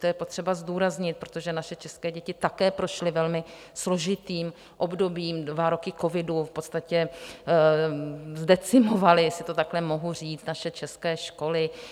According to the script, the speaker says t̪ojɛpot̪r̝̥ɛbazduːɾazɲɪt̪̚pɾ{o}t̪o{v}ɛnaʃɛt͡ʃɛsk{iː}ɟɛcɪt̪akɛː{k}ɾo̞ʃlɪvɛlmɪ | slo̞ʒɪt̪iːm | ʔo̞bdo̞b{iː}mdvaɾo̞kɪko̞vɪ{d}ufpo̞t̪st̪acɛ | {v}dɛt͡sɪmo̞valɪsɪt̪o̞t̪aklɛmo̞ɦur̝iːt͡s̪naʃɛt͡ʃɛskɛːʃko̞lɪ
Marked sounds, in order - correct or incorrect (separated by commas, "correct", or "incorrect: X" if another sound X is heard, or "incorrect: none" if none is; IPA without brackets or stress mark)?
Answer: correct, incorrect: ʒ, incorrect: ɛː, incorrect: p, correct, correct, incorrect: z